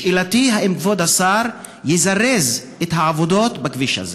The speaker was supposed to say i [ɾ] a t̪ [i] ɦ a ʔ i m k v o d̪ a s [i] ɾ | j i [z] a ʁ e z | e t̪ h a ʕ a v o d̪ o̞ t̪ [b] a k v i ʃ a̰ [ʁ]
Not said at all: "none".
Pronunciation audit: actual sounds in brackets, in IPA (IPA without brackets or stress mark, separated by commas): l, i, a, z, b, z